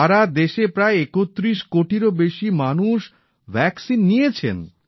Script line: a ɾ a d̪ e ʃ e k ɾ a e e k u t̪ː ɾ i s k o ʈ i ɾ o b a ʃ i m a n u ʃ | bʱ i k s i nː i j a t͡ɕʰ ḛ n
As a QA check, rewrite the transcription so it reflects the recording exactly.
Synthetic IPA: a ɾ a d̪ e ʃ e p ɾ a e e k o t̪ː ɾ i ʃ k o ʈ i ɾ o b e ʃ i m a n u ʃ | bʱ ɛ k s i nː i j e t͡ɕʰ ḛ n